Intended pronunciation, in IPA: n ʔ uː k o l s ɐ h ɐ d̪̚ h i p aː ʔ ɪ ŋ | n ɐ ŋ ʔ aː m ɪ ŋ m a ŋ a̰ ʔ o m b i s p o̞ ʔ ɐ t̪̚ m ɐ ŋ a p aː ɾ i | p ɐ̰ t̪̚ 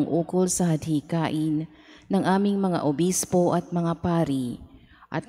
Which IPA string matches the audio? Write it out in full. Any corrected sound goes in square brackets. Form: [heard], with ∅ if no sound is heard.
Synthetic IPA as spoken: [ŋ] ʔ uː k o l s ɐ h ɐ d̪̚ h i [k] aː ʔ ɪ [n] | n ɐ ŋ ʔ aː m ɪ ŋ m [ɐ] ŋ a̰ ʔ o [∅] b i s p o̞ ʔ ɐ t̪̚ m ɐ ŋ a p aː ɾ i | [ʔ] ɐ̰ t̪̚